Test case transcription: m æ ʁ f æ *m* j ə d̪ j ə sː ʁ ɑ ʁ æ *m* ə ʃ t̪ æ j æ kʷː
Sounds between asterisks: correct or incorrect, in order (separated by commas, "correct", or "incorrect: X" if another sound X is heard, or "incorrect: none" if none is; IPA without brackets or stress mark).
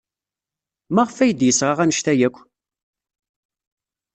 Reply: incorrect: none, incorrect: n